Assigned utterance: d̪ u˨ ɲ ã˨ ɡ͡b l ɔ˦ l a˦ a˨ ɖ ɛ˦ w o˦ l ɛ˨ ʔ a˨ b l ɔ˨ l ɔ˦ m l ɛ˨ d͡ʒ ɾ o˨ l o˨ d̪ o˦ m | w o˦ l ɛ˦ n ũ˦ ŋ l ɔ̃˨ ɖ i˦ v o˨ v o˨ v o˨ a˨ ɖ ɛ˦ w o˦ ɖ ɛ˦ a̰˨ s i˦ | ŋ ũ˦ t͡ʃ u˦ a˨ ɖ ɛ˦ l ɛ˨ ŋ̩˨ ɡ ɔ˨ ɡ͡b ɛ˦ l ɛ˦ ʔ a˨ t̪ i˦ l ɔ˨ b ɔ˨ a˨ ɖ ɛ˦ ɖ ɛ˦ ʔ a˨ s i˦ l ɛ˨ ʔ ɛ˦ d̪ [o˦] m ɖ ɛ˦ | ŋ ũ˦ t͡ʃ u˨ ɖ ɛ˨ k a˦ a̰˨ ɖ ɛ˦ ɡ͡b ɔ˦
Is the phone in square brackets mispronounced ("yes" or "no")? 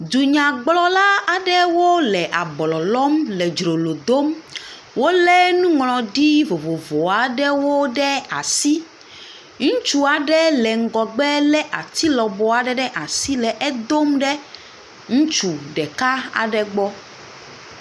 no